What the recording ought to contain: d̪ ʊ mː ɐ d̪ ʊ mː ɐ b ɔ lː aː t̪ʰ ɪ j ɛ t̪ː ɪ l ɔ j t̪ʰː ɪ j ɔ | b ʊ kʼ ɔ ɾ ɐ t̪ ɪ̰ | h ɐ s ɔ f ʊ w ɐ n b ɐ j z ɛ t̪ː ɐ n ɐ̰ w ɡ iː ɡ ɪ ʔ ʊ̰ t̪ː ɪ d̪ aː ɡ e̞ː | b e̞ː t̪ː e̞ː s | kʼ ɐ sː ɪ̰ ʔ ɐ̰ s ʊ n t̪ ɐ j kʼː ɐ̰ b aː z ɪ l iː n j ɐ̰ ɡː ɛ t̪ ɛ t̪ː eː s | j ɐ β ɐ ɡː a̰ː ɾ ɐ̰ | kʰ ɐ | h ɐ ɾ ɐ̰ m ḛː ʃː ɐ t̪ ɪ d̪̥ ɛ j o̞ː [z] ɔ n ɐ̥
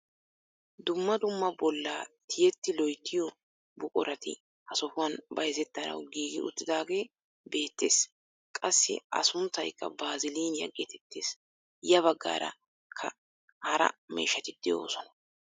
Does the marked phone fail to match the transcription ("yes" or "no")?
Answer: yes